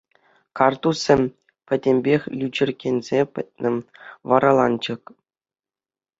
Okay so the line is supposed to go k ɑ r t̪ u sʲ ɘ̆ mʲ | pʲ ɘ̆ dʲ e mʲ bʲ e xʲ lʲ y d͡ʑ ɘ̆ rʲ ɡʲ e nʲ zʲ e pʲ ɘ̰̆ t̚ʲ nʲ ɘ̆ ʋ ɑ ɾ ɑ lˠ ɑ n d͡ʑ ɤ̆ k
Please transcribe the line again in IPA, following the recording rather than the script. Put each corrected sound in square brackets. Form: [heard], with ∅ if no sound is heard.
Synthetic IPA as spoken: k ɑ r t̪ u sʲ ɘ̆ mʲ | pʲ ɘ̆ dʲ e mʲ bʲ e xʲ lʲ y d͡ʑ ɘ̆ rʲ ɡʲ e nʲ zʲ e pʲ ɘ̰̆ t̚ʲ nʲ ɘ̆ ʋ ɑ ɾ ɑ lˠ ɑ n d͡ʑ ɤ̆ k